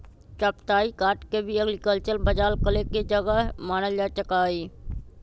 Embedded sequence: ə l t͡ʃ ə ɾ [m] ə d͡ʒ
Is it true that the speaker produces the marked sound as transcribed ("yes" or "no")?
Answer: no